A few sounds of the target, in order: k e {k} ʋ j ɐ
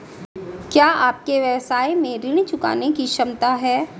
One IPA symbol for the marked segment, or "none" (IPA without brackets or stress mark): none